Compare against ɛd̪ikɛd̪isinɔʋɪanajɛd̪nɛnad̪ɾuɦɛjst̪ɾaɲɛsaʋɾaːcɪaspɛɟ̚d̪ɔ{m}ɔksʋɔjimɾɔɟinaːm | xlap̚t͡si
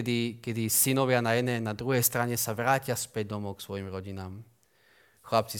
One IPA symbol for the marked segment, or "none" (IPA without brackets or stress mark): m